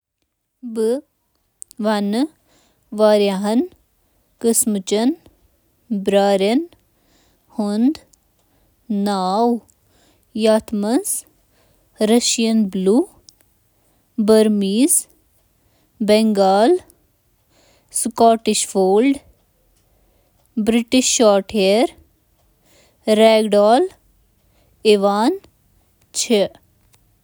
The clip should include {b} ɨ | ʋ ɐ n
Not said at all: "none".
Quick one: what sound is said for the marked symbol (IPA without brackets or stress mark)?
b